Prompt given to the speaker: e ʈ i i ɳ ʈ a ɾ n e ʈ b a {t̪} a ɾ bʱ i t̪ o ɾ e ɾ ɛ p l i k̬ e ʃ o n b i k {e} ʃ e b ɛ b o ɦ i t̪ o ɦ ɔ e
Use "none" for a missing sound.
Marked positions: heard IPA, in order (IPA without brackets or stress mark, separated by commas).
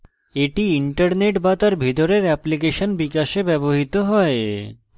t̪, a